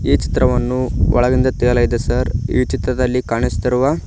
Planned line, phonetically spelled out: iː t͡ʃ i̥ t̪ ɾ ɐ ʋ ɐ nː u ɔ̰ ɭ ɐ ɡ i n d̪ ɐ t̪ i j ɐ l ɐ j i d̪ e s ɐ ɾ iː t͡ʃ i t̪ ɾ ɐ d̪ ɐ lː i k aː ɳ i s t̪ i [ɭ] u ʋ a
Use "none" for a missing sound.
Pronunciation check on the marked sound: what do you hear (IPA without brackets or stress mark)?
ɾ